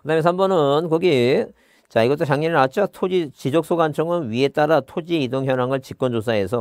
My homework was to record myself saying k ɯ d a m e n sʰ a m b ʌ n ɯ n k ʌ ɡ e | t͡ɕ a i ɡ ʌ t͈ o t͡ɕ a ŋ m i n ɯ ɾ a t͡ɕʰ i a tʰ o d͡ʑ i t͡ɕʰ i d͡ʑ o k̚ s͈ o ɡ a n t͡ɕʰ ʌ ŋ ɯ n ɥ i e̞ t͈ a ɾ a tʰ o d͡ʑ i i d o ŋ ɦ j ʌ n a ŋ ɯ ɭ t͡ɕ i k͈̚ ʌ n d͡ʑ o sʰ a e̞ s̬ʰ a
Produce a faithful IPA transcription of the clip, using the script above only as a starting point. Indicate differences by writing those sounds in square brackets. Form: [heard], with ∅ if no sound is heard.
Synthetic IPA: k ɯ d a m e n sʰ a m b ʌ n ɯ n k ʌ ɡ [i] | t͡ɕ a i ɡ ʌ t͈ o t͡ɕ a ŋ [ɲ] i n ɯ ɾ a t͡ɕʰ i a tʰ o d͡ʑ i [t͡ɕ] i d͡ʑ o k̚ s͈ o ɡ a n t͡ɕʰ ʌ ŋ ɯ n ɥ i e̞ t͈ a ɾ a tʰ o d͡ʑ i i d o ŋ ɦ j ʌ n a ŋ ɯ ɭ t͡ɕ i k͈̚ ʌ n d͡ʑ o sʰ a e̞ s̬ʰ [ʌ]